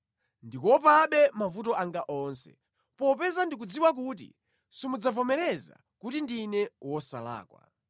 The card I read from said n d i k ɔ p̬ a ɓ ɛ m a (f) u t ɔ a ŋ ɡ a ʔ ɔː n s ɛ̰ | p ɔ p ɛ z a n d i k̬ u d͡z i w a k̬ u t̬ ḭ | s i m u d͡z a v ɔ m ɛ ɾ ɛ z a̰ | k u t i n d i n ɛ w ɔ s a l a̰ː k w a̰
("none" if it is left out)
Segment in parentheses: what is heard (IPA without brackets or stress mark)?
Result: v